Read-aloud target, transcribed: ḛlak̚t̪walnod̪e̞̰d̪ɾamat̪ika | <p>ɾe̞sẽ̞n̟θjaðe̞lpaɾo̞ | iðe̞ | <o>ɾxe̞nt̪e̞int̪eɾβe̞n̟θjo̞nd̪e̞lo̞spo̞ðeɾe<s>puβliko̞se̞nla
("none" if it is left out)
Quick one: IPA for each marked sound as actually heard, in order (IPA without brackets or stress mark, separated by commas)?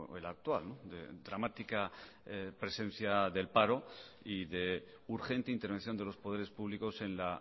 p, u, s